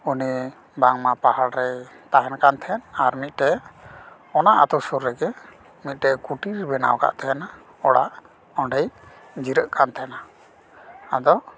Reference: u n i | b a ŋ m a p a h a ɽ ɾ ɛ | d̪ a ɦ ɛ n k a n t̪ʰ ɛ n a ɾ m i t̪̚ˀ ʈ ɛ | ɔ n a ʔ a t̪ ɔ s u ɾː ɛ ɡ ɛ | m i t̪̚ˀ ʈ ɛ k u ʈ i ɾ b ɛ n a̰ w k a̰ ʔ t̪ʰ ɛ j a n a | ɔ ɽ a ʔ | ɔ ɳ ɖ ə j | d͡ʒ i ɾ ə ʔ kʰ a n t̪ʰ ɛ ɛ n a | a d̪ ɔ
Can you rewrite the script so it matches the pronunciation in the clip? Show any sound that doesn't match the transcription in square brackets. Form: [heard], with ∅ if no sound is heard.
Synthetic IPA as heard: u n i | b a ŋ m a p a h a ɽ ɾ ɛ | [t̪] a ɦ ɛ n k a n t̪ʰ ɛ n a ɾ m i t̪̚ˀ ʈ ɛ | ɔ n a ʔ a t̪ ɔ s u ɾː ɛ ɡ ɛ | m i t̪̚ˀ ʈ ɛ k u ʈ i ɾ b ɛ n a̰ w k a̰ ʔ t̪ʰ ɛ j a n a | ɔ ɽ a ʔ | ɔ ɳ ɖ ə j | d͡ʒ i ɾ ə ʔ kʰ a n t̪ʰ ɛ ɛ n a | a d̪ ɔ